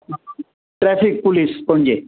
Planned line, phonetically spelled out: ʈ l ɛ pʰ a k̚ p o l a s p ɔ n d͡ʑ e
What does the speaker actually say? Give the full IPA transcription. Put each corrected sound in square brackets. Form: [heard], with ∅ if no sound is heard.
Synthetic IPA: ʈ [ɾ] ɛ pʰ [i] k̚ p [u] l [i] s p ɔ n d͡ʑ e